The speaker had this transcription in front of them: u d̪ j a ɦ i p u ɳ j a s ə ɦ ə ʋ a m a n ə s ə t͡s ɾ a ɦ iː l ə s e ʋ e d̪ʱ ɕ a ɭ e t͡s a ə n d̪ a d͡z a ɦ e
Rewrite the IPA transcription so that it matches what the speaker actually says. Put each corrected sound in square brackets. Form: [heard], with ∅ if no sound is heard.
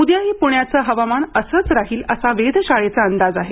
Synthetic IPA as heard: u d̪ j a ɦ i p u ɳ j a [t͡s] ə ɦ ə ʋ a m a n ə s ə t͡s ɾ a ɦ iː l ə s [a] ʋ e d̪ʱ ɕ a ɭ e t͡s a ə n d̪ a d͡z a ɦ e